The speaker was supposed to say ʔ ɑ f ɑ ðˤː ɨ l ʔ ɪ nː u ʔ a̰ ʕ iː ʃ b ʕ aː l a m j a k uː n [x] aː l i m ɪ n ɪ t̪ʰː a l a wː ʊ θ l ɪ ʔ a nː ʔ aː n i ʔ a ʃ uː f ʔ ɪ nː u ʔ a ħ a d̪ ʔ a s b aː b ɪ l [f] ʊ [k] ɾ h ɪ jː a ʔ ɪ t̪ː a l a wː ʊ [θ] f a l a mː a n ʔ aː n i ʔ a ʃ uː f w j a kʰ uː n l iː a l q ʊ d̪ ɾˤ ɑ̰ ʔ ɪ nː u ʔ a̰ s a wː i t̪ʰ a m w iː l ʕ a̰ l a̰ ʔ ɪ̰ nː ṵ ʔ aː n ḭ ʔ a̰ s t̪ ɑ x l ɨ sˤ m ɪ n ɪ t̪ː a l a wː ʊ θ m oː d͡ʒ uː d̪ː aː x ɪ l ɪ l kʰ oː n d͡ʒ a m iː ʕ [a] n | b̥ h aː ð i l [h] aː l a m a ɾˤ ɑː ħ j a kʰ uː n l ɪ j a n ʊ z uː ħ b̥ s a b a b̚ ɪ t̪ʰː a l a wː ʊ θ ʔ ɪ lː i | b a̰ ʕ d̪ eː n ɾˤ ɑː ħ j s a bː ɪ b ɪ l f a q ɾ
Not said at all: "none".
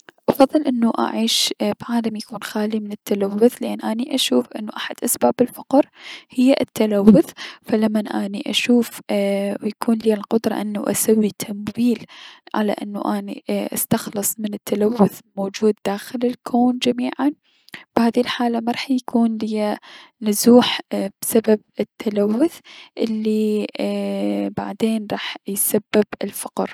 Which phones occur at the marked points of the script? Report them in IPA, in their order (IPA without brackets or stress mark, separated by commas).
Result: x, f, q, θ, a, ħ